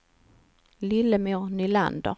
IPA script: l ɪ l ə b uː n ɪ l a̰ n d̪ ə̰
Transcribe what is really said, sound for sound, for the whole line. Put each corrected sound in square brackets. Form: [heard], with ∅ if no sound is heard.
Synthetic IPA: l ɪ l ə [m] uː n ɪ l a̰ n d̪ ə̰